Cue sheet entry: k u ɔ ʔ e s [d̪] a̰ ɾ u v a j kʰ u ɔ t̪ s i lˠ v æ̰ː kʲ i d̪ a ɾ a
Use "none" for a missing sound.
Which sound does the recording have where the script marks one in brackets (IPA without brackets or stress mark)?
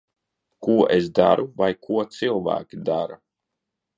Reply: d̪